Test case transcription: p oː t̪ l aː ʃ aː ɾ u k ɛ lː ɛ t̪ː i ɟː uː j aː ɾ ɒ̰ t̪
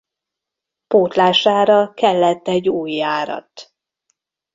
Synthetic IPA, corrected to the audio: p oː t̪ l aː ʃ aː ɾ ɒ k ɛ lː ɛ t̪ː ɛ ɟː uː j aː ɾ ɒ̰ t̪